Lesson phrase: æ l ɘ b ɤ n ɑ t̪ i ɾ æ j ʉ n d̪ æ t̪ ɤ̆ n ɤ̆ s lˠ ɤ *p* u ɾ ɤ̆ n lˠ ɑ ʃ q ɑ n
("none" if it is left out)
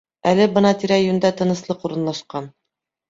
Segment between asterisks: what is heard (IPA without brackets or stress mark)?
q